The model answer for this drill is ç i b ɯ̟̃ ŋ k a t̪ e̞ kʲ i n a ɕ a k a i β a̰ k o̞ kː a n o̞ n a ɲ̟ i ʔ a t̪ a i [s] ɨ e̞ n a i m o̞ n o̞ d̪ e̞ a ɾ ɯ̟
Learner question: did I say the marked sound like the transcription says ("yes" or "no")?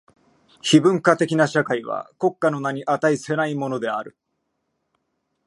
yes